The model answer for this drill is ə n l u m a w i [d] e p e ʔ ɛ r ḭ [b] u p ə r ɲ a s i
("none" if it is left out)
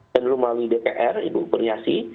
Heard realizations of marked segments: d, b

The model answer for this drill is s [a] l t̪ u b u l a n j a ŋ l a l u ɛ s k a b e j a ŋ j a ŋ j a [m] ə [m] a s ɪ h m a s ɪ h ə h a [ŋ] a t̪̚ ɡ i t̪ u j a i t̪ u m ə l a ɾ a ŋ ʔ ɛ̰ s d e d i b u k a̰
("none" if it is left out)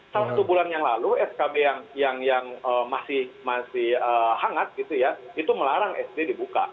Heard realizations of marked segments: a, ŋ, m, ŋ

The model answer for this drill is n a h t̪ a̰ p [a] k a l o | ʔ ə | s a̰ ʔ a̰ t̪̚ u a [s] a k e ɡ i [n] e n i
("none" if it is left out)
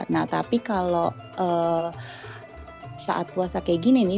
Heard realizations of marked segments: i, s, n

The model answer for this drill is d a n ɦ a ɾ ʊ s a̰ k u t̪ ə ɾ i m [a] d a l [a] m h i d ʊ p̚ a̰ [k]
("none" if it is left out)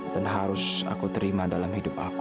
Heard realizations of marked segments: a, a, k

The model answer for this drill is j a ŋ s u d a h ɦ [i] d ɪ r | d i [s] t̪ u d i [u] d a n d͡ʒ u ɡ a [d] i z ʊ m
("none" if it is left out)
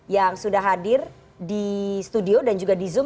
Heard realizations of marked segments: a, s, o, d

